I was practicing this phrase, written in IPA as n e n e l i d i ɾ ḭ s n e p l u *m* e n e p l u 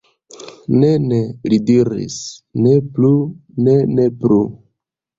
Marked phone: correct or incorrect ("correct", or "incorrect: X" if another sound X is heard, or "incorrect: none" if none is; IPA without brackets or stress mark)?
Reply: incorrect: n